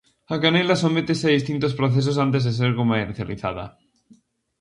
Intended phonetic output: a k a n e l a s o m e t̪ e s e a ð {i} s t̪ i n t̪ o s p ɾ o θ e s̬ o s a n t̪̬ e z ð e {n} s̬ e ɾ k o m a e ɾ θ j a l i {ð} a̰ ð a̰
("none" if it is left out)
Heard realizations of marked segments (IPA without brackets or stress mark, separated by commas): i, none, θ